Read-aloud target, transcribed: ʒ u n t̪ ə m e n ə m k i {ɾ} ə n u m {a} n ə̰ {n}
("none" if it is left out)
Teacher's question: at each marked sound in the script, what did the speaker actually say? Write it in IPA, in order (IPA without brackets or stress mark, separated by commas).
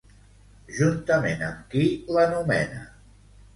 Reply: l, ɛ, none